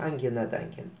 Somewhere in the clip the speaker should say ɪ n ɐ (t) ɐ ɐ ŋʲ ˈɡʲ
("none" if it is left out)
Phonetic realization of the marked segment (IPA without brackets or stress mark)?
d